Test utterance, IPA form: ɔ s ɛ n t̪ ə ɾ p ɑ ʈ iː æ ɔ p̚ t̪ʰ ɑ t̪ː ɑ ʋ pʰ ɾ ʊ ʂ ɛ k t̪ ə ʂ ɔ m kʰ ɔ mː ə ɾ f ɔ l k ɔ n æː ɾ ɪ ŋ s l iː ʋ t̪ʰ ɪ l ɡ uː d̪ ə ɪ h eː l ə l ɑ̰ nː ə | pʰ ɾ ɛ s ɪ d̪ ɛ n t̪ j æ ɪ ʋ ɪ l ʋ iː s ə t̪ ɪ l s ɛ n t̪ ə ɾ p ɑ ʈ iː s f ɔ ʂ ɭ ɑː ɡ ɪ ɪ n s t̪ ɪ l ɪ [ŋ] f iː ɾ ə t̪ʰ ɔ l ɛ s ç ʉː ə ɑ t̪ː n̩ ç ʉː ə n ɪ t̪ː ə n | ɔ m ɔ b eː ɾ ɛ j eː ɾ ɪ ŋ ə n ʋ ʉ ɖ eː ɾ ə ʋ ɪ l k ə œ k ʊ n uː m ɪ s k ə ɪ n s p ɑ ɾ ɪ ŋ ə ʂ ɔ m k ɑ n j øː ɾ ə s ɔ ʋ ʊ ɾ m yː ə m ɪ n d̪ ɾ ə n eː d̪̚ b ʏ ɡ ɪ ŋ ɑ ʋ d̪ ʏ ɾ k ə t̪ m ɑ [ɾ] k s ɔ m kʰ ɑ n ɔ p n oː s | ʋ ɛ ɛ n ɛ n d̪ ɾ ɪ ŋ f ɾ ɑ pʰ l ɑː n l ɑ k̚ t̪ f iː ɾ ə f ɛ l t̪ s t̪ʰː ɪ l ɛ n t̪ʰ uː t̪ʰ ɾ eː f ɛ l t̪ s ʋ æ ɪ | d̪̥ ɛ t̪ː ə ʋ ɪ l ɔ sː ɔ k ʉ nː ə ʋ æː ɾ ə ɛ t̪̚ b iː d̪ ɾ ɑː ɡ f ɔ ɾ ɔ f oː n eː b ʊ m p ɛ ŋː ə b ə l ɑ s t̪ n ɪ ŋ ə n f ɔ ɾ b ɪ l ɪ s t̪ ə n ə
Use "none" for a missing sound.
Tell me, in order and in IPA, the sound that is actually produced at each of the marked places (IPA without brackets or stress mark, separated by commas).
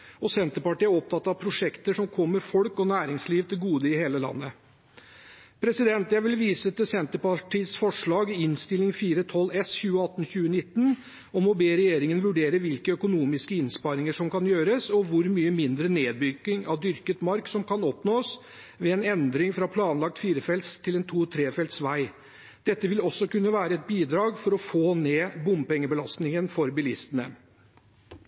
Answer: ŋ, ɾ